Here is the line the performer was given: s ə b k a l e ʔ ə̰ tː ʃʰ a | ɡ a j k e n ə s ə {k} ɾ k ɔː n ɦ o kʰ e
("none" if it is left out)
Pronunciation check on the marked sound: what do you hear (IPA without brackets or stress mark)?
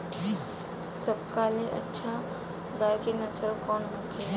none